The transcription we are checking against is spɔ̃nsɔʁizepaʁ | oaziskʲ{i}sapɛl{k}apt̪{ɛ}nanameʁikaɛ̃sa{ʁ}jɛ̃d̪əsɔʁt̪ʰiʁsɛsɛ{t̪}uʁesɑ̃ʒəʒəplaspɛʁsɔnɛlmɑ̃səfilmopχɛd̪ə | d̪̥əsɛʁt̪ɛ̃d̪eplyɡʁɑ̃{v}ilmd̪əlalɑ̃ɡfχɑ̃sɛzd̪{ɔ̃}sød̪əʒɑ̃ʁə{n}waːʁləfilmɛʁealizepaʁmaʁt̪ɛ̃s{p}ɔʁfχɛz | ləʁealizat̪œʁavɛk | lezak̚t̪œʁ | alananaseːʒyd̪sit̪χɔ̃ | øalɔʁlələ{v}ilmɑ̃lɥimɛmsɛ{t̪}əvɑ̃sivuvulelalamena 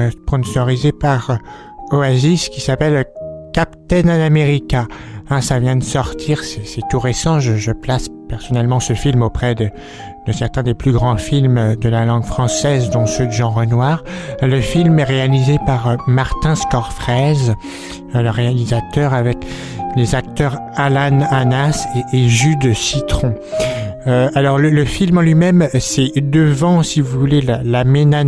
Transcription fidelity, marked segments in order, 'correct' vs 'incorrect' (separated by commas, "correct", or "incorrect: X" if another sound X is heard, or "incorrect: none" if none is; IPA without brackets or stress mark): correct, correct, correct, incorrect: v, correct, incorrect: f, correct, correct, incorrect: k, incorrect: f, incorrect: d̪